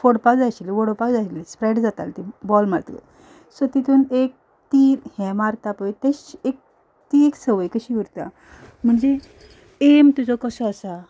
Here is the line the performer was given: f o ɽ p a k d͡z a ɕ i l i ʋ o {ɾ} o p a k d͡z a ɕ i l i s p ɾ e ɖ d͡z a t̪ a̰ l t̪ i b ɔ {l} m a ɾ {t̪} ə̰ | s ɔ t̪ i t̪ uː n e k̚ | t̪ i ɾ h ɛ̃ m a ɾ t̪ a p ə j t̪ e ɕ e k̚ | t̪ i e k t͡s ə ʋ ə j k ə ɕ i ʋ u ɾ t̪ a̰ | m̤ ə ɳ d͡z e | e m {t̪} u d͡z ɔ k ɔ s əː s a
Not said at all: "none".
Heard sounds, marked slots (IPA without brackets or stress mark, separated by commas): ɽ, l, t̪, t̪